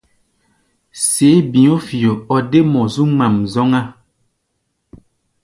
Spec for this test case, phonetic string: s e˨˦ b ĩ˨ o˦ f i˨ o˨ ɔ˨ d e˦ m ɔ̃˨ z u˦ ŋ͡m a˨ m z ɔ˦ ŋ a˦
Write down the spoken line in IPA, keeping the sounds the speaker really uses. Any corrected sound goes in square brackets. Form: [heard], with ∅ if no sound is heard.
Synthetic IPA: s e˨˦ b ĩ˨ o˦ f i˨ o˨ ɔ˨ d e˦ m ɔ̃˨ z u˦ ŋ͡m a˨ m z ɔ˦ ŋ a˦